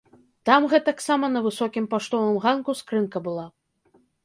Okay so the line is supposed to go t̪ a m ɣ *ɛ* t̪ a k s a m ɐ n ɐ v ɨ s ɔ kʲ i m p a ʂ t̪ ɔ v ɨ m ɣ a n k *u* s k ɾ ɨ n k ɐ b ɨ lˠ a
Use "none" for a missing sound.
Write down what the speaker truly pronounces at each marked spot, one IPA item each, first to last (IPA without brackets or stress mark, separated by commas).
ɛ, u